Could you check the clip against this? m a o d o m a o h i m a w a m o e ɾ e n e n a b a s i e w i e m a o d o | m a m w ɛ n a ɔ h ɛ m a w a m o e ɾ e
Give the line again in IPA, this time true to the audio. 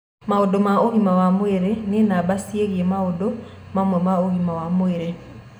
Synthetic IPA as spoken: m a o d o m a o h i m a w a m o e ɾ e n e n a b a s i e ɣ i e m a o d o | m a m w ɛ m a o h i m a w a m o e ɾ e